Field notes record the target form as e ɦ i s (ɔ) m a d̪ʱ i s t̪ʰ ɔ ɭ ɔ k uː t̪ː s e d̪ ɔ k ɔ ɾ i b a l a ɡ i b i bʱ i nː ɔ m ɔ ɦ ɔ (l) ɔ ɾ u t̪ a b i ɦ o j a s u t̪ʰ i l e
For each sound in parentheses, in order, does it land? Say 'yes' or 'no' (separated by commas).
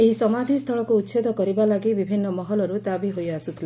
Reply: yes, yes